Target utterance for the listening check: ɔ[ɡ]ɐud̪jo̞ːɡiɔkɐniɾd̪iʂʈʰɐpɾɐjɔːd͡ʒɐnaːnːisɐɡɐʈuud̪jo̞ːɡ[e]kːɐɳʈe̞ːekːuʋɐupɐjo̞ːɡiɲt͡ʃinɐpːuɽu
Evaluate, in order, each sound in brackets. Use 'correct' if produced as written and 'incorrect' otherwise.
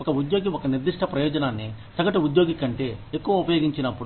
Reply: incorrect: k, incorrect: i

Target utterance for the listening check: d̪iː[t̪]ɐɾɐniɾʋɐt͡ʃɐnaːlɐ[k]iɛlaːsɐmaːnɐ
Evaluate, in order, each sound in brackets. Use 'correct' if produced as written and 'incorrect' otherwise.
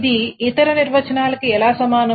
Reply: correct, correct

